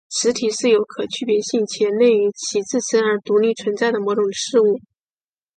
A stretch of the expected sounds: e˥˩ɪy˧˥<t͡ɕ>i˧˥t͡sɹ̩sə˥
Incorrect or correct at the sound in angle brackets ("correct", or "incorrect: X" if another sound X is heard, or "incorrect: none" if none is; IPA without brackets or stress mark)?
incorrect: t͡ɕʰ